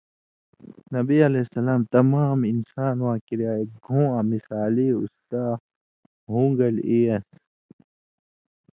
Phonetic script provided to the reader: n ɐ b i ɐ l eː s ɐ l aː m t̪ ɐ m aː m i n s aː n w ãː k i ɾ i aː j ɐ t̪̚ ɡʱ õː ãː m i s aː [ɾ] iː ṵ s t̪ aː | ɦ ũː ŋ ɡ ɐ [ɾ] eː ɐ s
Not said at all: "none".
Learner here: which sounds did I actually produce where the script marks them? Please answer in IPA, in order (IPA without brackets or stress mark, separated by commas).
l, l